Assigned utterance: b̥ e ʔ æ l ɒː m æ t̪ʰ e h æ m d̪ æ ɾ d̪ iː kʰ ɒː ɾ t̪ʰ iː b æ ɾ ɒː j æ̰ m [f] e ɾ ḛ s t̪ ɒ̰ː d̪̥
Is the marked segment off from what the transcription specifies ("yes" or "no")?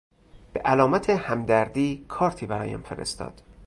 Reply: no